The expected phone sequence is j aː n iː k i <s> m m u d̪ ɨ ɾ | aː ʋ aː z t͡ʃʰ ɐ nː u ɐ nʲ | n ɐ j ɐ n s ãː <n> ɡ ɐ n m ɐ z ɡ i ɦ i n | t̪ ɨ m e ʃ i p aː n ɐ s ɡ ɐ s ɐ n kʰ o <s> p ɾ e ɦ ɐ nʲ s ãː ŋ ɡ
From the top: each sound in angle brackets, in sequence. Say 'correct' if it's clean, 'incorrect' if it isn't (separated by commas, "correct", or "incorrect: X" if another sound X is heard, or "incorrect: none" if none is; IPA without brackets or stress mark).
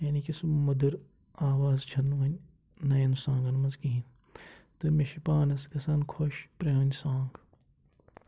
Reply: correct, incorrect: ŋ, incorrect: ʃ